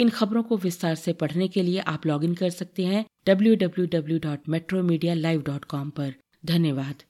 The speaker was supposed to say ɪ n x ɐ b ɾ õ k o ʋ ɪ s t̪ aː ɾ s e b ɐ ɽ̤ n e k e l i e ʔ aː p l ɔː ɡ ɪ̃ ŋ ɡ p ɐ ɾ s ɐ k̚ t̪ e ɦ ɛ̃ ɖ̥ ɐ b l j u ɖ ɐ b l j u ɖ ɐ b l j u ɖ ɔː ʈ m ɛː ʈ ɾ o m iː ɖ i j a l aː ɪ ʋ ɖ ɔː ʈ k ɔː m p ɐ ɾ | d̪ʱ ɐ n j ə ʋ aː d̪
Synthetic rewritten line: ɪ n x ɐ b ɾ õ k o ʋ ɪ s t̪ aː ɾ s e p ɐ ɽ̤ n e k e l i e ʔ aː p l ɔː ɡ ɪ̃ ŋ ɡ k ɐ ɾ s ɐ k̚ t̪ e ɦ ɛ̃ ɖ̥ ɐ b l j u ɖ ɐ b l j u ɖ ɐ b l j u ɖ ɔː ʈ m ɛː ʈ ɾ o m iː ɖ i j a l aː ɪ ʋ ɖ ɔː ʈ k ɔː m p ɐ ɾ | d̪ʱ ɐ n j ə ʋ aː d̪